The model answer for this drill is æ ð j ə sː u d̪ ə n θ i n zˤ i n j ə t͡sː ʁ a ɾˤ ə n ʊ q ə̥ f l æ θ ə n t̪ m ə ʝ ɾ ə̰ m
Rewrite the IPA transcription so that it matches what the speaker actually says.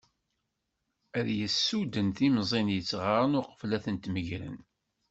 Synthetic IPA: æ ð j ə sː u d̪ ə n θ i m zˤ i n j ə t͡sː ʁ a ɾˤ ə n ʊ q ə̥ f l æ θ ə n t̪ m ə ʝ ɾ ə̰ n